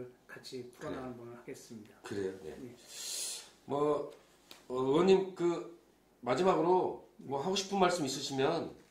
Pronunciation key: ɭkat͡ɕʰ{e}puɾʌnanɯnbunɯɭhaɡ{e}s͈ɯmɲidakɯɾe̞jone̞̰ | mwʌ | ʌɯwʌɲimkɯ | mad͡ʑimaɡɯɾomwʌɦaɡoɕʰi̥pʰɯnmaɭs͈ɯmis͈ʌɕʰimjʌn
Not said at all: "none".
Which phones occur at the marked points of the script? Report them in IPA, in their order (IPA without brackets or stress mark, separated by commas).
i, e